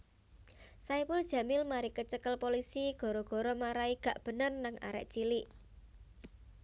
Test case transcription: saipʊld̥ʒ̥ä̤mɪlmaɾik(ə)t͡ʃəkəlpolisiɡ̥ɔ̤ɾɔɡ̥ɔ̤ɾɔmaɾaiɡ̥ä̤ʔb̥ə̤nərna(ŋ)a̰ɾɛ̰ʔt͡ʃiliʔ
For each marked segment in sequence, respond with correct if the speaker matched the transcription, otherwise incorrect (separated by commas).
correct, correct